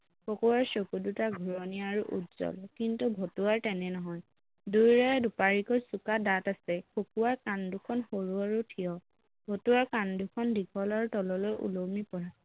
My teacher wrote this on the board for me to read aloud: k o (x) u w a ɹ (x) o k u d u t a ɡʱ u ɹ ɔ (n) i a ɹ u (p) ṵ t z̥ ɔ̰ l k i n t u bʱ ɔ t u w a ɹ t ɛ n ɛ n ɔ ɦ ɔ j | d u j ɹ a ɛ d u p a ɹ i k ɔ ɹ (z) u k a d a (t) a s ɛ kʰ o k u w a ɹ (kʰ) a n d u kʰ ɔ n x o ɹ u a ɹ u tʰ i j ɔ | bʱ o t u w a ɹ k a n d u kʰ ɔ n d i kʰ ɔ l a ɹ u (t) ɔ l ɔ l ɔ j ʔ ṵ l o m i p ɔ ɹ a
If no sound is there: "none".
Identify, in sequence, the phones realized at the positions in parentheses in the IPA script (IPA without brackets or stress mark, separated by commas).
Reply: k, s, n, ʔ, s, t, k, t